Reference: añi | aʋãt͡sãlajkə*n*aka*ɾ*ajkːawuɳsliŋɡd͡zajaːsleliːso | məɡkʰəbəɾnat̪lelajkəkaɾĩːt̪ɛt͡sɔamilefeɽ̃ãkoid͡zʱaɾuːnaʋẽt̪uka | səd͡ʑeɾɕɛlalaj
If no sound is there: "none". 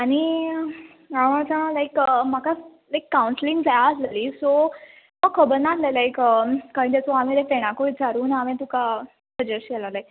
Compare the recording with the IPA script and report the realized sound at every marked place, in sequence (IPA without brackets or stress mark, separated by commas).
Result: m, l